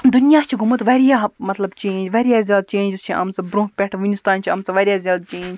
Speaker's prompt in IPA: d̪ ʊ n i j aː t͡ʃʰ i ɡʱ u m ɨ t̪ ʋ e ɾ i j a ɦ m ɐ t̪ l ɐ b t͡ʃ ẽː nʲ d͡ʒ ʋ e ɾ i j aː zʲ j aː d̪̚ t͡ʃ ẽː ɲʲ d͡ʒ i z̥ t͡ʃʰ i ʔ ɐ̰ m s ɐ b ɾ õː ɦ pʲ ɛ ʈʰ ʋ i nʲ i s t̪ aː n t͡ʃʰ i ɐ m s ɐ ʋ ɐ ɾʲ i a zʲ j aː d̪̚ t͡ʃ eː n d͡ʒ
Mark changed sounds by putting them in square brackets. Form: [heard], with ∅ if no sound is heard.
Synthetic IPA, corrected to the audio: d̪ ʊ n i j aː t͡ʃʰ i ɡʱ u m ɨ t̪ ʋ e ɾ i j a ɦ m ɐ t̪ l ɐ b t͡ʃ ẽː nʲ d͡ʒ ʋ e ɾ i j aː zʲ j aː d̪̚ t͡ʃ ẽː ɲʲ d͡ʒ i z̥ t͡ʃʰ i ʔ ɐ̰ m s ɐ b ɾ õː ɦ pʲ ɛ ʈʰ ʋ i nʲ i s t̪ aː n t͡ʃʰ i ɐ m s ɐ ʋ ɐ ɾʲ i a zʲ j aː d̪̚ t͡ʃ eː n d͡ʒ